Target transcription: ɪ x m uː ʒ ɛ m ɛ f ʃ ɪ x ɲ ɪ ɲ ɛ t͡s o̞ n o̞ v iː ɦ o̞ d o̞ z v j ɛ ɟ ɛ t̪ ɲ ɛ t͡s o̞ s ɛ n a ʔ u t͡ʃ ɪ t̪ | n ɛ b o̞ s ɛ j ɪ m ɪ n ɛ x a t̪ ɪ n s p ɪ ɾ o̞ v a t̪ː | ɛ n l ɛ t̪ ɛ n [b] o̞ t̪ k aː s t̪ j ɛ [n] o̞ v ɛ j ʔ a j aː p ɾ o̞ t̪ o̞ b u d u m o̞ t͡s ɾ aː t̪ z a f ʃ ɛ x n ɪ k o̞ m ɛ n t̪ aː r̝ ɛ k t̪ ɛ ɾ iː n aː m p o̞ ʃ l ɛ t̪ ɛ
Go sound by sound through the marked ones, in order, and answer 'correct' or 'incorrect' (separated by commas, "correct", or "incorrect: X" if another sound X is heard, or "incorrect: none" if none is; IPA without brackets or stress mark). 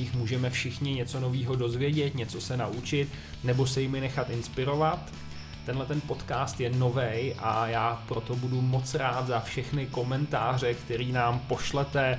incorrect: p, correct